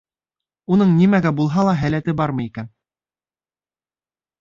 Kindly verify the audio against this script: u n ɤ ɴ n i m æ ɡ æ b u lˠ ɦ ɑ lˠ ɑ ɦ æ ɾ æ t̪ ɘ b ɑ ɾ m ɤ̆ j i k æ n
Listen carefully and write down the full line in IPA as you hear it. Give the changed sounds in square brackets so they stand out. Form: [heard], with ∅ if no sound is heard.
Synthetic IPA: u n ɤ ɴ n i m æ ɡ æ b u lˠ ɦ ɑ lˠ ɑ ɦ æ [l] æ t̪ ɘ b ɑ ɾ m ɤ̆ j i k æ n